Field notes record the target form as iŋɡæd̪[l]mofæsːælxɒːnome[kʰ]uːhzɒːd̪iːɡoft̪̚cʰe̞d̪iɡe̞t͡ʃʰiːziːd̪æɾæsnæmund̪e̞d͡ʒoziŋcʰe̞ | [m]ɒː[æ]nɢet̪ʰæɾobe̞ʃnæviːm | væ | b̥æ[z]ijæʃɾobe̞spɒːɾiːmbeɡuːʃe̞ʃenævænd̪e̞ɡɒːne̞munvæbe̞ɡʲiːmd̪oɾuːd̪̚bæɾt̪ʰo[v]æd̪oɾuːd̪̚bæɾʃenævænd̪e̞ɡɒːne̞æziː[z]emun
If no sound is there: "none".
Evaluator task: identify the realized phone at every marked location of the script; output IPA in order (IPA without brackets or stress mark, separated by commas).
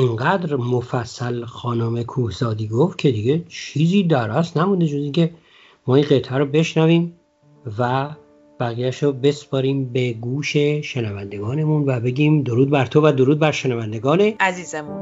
ɾ, kʰ, m, i, ɣ, v, z